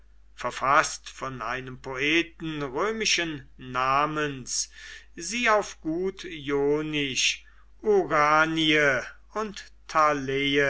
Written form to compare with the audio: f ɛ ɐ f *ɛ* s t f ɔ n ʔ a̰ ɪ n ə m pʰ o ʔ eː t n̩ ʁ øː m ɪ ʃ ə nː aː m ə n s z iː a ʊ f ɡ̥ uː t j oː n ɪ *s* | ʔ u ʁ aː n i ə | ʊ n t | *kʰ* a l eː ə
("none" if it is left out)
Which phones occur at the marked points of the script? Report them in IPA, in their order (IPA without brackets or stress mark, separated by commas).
a, ʃ, tʰ